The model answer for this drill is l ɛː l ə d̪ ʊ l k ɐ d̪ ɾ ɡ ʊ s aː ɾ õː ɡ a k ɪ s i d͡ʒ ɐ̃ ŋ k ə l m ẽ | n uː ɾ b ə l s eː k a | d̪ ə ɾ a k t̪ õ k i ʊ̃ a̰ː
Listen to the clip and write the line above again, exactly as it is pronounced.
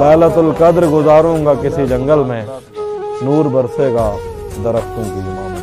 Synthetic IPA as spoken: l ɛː l ə t̪ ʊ l k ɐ d̪ ɾ ɡ ʊ z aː ɾ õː ɡ a k ɪ s i d͡ʒ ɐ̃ ŋ ɡ ə l m ẽ | n uː ɾ b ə ɾ s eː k a | d̪ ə ɾ ə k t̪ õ k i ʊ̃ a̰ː